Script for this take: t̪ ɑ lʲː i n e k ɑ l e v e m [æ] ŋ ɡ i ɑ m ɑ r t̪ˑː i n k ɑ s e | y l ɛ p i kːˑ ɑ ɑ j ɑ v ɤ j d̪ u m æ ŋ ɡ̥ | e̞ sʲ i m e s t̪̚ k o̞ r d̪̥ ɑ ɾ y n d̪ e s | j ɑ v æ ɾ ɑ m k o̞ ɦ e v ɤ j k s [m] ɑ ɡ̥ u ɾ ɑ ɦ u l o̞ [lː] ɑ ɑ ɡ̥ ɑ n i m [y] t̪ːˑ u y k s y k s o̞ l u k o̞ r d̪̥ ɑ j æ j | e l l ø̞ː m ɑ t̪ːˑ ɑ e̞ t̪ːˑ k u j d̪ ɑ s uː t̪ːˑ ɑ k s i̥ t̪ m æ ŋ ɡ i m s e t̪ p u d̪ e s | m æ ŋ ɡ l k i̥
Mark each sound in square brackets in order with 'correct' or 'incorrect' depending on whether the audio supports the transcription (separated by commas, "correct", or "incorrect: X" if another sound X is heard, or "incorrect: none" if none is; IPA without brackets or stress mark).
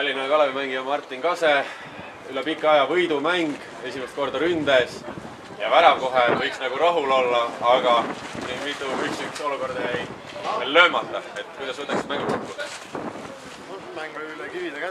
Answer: correct, incorrect: n, correct, incorrect: i